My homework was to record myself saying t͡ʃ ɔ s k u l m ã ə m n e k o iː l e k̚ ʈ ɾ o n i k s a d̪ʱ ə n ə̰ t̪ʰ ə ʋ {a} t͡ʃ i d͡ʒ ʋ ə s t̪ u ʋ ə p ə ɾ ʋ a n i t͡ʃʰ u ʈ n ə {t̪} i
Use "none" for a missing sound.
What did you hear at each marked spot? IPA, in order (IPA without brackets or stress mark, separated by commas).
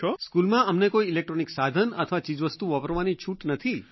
a, t̪ʰ